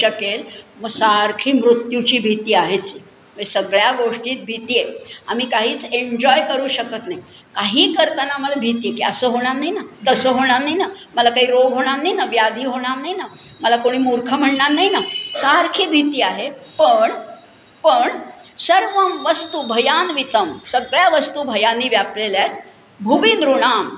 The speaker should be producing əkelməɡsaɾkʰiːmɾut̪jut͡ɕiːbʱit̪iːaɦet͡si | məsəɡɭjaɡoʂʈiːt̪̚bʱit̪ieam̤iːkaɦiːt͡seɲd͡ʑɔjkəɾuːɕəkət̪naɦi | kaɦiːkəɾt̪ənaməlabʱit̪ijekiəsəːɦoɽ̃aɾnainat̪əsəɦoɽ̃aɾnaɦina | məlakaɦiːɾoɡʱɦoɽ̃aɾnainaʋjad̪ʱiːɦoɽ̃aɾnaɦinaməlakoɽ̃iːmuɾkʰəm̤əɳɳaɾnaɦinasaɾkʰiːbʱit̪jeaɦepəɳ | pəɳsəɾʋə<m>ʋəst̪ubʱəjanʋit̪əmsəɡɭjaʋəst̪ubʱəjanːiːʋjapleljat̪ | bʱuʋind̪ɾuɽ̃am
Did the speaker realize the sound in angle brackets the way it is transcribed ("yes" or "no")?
yes